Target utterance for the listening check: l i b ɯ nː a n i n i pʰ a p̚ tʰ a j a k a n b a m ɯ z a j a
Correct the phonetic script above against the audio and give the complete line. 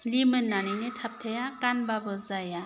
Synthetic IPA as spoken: l i m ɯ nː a n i n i tʰ a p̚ tʰ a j a k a n b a b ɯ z a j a